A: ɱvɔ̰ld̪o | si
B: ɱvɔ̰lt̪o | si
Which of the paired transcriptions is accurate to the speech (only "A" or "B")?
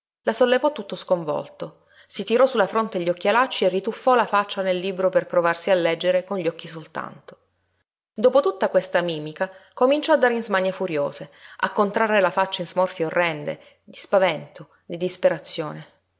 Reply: B